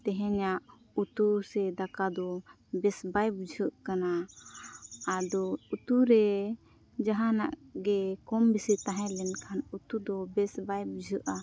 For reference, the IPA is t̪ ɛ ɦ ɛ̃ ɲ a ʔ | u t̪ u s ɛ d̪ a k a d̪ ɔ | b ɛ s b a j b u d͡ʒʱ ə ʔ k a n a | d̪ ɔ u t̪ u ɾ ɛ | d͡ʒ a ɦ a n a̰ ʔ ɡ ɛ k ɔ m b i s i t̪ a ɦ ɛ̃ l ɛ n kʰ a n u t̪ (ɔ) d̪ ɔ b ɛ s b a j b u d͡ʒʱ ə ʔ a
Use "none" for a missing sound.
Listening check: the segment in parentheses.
u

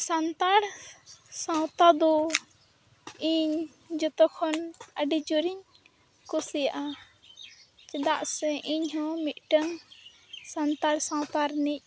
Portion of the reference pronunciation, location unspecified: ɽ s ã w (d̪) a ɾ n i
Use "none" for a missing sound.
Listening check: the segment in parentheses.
t̪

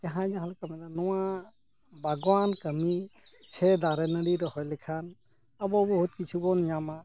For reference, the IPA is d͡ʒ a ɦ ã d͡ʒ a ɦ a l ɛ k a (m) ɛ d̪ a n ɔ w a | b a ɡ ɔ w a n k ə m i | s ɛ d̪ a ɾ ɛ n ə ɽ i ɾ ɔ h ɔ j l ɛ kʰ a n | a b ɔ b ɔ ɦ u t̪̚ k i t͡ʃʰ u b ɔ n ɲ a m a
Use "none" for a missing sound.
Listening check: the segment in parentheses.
m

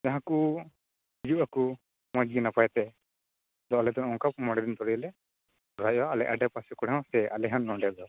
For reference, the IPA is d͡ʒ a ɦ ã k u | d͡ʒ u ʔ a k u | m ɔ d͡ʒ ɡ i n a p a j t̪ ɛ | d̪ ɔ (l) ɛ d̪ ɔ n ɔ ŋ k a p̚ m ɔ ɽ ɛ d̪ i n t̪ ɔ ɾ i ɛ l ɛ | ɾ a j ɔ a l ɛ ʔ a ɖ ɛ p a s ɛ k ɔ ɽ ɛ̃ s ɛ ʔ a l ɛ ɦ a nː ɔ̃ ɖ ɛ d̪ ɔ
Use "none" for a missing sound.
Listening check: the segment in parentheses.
l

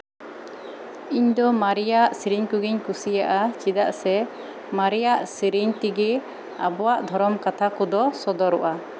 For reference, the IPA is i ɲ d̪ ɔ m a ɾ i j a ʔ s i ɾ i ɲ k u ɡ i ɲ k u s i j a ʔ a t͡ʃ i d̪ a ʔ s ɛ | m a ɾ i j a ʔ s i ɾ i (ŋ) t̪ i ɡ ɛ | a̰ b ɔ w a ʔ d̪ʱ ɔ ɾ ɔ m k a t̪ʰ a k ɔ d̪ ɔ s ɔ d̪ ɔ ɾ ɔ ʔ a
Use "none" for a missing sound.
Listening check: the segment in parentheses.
ɲ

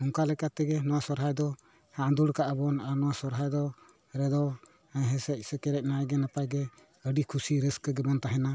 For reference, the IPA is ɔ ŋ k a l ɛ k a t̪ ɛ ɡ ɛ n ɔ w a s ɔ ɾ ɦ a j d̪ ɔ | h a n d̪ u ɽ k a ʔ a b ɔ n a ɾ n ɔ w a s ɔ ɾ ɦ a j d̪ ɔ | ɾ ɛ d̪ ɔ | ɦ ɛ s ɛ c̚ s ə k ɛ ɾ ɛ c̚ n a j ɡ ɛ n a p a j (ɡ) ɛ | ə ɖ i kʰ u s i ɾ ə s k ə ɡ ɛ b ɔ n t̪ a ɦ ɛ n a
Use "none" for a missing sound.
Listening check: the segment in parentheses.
ɡ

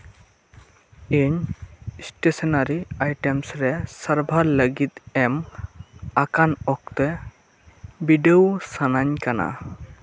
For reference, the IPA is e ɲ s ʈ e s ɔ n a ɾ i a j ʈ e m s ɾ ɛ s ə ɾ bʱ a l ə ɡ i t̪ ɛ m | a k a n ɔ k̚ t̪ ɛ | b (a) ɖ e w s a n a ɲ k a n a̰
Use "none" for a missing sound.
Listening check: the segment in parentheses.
i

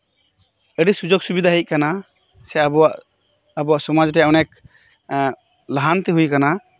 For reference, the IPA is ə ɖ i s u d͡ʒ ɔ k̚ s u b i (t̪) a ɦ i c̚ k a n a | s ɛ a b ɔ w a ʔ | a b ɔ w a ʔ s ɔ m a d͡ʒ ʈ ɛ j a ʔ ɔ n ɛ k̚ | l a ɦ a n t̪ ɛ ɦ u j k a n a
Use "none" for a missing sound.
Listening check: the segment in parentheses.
d̪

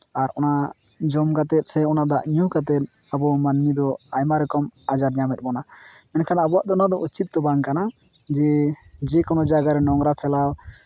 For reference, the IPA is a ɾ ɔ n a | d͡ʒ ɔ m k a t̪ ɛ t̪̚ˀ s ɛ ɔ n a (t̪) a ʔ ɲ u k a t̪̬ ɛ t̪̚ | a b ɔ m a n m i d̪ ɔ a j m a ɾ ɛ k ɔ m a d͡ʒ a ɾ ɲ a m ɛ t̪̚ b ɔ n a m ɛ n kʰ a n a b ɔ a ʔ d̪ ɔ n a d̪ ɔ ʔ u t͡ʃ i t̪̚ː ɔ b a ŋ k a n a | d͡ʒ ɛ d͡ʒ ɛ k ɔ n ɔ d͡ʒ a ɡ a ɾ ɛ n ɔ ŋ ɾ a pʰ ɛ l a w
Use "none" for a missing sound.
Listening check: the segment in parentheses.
d̪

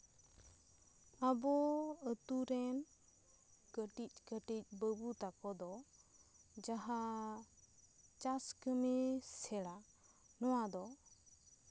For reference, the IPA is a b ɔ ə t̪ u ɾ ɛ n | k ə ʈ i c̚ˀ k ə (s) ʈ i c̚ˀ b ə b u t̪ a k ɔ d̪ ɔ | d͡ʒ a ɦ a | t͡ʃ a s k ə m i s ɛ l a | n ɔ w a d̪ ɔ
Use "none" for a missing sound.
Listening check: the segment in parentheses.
none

